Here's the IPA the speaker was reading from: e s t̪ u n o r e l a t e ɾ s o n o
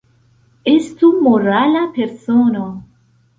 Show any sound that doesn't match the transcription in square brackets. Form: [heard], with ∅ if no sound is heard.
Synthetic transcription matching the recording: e s t̪ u [m] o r [a] l a [p] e ɾ s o n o